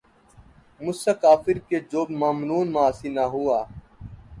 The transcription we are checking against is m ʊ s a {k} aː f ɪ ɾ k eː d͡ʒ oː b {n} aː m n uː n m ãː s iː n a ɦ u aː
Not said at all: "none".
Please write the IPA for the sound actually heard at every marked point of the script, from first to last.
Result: k, m

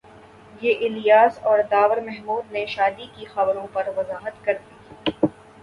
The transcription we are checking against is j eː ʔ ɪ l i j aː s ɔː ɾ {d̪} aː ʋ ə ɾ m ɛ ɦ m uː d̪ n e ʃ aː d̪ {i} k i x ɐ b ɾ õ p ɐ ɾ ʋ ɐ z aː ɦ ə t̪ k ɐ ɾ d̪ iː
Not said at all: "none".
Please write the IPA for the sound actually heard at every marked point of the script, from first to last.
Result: d̪, i

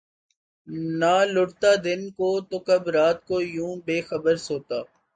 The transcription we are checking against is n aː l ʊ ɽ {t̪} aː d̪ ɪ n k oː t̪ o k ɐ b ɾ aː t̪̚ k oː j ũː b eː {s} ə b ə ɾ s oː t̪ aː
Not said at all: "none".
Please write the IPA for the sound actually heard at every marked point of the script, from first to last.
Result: t̪, x

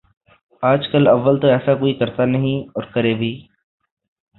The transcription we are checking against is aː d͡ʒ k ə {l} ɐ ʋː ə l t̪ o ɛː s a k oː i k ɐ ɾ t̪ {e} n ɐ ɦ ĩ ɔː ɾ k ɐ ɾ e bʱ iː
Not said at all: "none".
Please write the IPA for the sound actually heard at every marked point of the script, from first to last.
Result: l, a

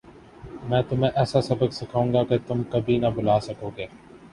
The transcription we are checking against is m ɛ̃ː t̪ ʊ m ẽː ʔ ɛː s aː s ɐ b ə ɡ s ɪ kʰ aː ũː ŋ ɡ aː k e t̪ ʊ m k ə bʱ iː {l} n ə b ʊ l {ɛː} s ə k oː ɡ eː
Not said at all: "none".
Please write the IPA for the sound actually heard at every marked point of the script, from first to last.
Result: none, aː

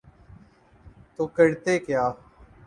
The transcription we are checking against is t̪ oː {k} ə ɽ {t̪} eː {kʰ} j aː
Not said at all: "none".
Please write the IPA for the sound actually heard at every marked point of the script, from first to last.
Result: k, t̪, k

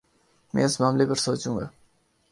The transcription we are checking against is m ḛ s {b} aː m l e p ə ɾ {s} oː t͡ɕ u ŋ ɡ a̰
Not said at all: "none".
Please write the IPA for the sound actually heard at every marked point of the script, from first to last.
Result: m, s

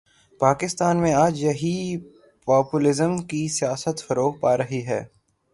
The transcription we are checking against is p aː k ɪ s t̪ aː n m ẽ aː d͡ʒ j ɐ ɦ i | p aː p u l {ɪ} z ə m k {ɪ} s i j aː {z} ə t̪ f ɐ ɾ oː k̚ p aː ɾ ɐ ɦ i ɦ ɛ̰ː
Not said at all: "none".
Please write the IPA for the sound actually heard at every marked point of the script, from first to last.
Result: ɪ, i, s

